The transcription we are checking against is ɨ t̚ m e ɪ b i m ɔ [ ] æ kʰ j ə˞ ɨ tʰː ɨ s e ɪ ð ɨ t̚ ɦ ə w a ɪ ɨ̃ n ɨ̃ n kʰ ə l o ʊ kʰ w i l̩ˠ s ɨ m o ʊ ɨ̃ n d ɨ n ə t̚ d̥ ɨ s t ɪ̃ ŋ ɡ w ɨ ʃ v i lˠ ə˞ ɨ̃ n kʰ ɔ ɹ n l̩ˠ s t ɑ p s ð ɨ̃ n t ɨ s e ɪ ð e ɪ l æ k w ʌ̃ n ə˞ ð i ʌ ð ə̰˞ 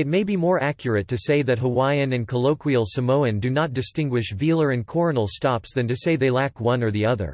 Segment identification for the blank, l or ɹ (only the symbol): ɹ